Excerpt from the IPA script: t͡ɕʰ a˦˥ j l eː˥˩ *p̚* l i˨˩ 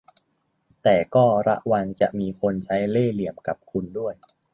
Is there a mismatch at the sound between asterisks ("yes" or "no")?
yes